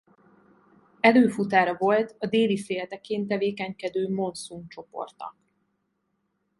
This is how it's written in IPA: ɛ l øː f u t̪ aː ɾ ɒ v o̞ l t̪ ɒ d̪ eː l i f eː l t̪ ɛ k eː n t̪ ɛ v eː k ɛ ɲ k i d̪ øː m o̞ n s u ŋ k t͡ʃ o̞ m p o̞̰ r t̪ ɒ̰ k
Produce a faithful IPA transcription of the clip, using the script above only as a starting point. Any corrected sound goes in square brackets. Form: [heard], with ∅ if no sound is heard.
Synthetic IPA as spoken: ɛ l øː f u t̪ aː ɾ ɒ v o̞ l t̪ ɒ d̪ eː l i f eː l t̪ ɛ k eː n t̪ ɛ v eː k ɛ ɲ k [ɛ] d̪ øː m o̞ n s u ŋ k t͡ʃ o̞ [∅] p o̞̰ r t̪ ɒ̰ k